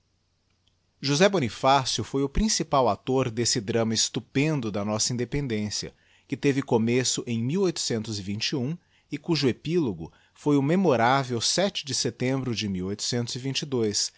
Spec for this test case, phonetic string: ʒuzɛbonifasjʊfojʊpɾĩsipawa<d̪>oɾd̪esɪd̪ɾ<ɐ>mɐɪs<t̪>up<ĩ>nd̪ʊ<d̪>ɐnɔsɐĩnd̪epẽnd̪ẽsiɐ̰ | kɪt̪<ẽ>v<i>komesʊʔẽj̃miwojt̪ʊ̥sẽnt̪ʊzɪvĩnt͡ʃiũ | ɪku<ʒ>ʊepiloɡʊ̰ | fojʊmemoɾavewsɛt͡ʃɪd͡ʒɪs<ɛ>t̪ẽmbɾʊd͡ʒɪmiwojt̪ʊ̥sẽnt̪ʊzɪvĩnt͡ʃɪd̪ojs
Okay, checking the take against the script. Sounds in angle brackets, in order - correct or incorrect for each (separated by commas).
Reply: incorrect, incorrect, correct, incorrect, correct, incorrect, incorrect, correct, incorrect